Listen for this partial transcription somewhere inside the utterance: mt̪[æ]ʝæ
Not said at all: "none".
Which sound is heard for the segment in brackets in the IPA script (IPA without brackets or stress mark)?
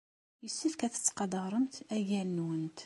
æ